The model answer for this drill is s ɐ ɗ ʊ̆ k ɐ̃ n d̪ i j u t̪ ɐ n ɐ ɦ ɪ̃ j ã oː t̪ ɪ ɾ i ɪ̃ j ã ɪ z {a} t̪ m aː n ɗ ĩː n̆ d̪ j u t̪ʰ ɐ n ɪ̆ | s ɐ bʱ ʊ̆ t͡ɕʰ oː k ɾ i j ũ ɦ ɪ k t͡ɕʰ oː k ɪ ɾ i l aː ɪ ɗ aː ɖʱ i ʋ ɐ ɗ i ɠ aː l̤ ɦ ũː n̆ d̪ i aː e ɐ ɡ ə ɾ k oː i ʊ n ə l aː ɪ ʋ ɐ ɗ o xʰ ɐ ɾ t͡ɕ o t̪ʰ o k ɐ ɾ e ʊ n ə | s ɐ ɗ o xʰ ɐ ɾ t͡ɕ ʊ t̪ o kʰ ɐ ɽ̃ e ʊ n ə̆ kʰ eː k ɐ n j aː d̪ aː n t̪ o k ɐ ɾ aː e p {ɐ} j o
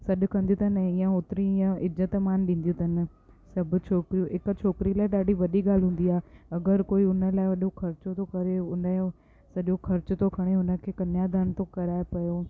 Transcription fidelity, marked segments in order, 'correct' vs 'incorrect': incorrect, correct

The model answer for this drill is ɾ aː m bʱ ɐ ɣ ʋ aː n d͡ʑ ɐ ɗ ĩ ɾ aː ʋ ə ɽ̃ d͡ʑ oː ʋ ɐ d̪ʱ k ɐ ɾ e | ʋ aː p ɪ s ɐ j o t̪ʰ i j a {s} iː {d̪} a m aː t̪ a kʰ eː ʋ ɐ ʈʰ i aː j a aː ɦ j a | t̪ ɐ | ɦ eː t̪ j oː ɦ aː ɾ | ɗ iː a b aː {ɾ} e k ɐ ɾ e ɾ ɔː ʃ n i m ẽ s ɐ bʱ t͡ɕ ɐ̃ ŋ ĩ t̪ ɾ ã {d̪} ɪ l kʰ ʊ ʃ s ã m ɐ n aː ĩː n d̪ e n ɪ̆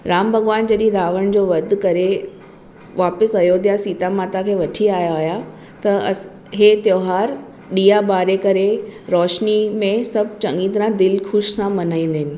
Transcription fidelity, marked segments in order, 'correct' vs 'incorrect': correct, incorrect, correct, correct

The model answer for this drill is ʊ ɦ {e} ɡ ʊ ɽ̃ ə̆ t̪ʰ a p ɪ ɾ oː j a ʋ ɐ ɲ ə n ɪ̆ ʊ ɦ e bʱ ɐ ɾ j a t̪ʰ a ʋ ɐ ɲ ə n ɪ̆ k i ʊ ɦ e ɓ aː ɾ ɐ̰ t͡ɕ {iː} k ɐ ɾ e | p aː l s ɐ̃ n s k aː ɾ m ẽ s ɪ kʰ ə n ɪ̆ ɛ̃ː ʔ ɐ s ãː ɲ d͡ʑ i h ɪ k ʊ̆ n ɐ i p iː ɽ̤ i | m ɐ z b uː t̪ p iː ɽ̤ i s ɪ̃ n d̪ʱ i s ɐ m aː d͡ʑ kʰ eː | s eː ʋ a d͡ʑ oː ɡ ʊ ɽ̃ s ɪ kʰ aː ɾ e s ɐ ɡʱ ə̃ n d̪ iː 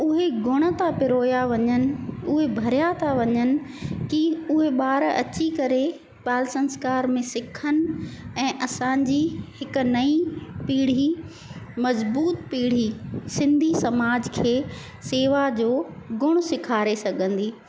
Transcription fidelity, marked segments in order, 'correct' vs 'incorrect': correct, incorrect

